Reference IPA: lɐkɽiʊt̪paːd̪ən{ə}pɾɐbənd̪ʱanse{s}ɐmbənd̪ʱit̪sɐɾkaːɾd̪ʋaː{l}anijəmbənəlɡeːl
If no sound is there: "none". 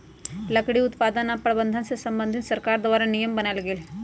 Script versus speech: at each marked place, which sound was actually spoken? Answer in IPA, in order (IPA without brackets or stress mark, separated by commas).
a, s, ɾ